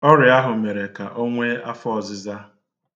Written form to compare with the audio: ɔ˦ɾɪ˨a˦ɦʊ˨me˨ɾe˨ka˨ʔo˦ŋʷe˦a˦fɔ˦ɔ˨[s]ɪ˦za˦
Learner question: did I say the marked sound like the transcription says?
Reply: no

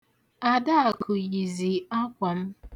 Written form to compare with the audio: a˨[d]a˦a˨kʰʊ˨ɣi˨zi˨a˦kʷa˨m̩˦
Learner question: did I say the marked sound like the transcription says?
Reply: yes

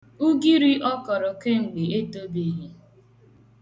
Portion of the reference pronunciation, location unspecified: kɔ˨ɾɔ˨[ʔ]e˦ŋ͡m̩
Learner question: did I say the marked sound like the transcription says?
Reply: no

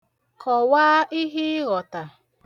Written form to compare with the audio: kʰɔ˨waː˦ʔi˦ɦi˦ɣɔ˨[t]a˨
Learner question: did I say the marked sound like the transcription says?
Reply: yes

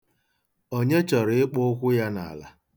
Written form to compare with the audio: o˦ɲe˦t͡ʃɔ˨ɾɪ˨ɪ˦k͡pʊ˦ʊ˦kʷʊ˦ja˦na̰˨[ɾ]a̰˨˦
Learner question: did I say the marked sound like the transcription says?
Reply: no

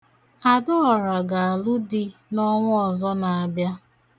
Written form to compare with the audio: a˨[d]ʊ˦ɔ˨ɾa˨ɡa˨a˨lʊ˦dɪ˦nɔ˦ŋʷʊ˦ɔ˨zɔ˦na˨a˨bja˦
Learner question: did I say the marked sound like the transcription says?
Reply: yes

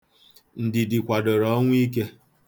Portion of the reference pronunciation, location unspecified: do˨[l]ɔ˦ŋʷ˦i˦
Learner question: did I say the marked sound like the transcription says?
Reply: no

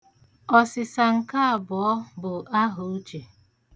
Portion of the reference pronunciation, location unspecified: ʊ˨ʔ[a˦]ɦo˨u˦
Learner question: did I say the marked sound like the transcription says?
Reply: yes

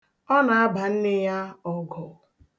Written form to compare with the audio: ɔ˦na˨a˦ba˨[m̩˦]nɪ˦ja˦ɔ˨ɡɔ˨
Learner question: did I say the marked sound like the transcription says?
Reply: no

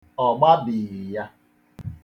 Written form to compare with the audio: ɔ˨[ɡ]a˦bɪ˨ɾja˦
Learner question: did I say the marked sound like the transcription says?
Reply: no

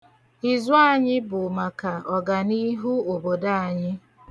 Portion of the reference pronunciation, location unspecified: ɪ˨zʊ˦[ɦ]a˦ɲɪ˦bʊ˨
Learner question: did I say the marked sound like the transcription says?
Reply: no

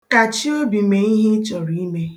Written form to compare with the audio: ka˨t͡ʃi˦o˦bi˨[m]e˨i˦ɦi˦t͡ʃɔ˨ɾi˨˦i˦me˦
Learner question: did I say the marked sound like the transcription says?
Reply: yes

